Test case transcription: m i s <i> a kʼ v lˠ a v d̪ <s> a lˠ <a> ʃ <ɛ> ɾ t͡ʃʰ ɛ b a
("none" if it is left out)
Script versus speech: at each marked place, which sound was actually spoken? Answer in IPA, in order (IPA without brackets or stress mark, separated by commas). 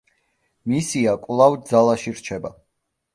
i, z, a, i